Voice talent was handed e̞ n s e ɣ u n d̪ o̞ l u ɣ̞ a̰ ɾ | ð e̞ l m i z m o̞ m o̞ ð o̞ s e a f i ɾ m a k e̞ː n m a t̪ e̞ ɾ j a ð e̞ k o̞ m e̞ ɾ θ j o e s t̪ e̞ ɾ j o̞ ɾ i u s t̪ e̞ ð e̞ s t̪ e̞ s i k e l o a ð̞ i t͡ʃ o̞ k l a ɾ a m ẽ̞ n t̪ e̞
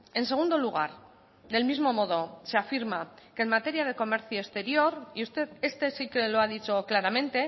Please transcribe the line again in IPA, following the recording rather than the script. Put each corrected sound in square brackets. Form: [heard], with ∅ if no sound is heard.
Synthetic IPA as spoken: e̞ n s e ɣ u n d̪ o̞ l u ɣ̞ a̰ ɾ | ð e̞ l m i z m o̞ m o̞ ð o̞ s e a f i ɾ m a k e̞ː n m a t̪ e̞ ɾ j a ð e̞ k o̞ m e̞ ɾ θ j o e s t̪ e̞ ɾ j o̞ ɾ i u s t̪ e̞ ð e̞ s t̪ e̞ s i k e l o a ð̞ i t͡ʃ o̞ k l a ɾ a m ẽ̞ n t̪ e̞

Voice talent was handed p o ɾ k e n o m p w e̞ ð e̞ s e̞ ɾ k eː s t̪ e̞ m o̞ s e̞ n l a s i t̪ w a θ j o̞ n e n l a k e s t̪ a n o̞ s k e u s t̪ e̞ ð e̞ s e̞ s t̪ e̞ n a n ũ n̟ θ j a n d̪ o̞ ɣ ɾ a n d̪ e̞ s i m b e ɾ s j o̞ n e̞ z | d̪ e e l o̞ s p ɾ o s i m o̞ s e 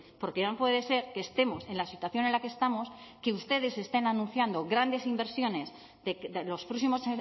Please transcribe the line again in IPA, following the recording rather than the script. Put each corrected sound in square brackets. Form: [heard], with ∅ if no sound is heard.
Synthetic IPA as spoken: p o ɾ k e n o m p w e̞ ð e̞ s e̞ ɾ k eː s t̪ e̞ m o̞ s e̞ n l a s i t̪ w a θ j o̞ n e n l a k e s t̪ a [m] o̞ s k e u s t̪ e̞ ð e̞ s e̞ s t̪ e̞ n a n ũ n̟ θ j a n d̪ o̞ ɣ ɾ a n d̪ e̞ s i m b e ɾ s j o̞ n e̞ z | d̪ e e l o̞ s p ɾ o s i m o̞ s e

